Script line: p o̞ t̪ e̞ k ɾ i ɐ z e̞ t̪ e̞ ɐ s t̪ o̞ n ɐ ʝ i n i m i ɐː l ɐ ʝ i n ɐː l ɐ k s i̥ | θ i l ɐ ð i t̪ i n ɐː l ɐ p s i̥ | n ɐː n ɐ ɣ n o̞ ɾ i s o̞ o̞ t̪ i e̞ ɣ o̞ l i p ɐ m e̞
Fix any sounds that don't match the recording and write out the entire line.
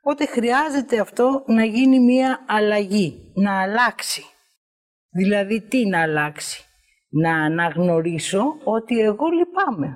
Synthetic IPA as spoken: p o̞ t̪ e̞ x ɾ i ɐ z e̞ t̪ e̞ ɐ f t̪ o̞ n ɐ ʝ i n i m i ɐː l ɐ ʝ i n ɐː l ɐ k s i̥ | ð i l ɐ ð i t̪ i n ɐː l ɐ k s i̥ | n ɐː n ɐ ɣ n o̞ ɾ i s o̞ o̞ t̪ i e̞ ɣ o̞ l i p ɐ m e̞